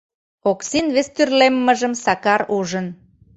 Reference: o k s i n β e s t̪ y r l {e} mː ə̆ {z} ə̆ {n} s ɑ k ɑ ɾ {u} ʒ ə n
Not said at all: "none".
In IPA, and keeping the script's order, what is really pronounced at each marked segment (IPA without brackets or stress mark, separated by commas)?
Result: e, ʒ, m, u